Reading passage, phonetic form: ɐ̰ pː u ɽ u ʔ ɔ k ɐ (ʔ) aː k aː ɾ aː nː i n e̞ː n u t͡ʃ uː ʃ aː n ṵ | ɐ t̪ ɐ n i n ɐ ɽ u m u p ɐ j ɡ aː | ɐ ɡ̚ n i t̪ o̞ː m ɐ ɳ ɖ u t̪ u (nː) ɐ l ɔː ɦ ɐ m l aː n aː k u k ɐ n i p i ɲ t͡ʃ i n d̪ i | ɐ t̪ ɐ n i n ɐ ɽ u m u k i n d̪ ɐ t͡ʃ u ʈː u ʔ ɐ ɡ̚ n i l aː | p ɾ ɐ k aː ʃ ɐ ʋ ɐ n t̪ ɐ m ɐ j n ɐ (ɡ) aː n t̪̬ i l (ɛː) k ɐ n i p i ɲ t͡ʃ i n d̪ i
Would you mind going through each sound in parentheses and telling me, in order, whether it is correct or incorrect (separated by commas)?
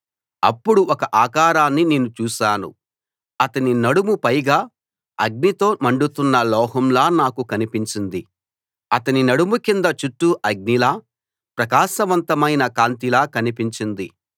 correct, correct, incorrect, incorrect